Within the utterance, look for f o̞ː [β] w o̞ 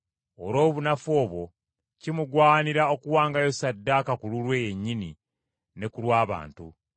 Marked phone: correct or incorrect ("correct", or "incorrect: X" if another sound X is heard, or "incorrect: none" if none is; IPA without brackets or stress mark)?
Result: correct